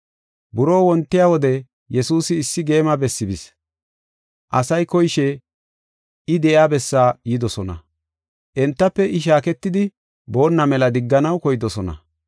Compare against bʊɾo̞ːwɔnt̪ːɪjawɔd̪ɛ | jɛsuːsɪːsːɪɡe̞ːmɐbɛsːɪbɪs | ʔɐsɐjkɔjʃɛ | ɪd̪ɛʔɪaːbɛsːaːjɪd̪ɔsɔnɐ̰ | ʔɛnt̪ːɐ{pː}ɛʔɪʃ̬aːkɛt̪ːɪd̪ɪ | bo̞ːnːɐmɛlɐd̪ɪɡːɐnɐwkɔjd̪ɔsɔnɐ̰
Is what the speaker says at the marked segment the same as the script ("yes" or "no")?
yes